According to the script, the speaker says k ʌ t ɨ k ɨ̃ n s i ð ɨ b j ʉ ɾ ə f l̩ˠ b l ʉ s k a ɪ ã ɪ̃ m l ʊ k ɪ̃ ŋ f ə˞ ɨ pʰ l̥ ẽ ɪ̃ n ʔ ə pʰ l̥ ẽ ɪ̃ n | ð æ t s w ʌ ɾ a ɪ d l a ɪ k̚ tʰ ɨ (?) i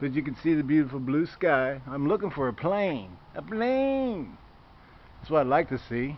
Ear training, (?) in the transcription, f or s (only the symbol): s